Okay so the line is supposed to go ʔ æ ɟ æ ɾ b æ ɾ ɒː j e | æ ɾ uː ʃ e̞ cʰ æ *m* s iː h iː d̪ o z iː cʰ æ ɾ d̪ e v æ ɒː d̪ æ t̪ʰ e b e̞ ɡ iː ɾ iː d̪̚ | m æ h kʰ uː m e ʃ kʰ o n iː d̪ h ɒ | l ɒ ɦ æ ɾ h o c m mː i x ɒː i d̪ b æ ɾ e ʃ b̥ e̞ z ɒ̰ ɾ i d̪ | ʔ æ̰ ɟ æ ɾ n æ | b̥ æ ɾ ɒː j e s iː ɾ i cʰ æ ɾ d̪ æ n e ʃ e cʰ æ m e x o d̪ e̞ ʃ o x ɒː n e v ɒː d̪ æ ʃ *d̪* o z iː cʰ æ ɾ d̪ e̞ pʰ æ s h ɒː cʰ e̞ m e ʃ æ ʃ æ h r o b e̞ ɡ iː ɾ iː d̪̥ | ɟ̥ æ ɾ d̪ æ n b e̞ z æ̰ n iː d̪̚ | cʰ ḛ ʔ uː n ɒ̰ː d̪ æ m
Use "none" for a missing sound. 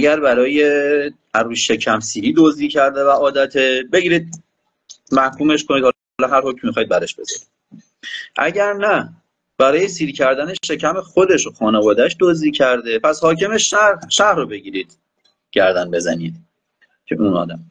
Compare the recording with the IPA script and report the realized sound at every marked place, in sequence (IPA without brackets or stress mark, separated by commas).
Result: m, d̪